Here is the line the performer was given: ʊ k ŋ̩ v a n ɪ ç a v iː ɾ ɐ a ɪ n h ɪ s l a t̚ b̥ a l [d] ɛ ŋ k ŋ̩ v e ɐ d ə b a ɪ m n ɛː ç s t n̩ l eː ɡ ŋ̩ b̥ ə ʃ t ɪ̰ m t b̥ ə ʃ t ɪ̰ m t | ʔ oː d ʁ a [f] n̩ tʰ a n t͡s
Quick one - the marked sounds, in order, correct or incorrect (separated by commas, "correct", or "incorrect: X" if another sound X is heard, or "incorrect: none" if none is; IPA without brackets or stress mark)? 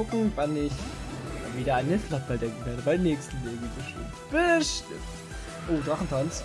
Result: correct, incorrect: χ